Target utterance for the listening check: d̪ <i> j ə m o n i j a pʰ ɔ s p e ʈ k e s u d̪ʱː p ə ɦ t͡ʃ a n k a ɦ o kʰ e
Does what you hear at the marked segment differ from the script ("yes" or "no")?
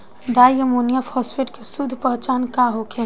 yes